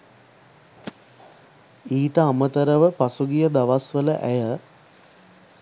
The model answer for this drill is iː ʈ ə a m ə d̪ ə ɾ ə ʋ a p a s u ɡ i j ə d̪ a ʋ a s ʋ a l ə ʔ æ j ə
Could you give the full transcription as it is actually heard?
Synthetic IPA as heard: iː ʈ ə a m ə t̪ ə ɾ ə ʋ ə p a s u ɡ i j ə d̪ a ʋ a s ʋ ə l ə ʔ æ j ə